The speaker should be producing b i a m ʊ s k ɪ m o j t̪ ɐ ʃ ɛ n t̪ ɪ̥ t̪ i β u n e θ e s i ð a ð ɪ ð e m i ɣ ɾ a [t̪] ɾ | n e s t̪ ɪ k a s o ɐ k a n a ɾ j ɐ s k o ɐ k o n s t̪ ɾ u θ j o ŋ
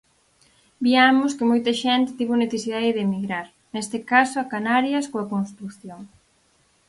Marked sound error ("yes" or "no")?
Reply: yes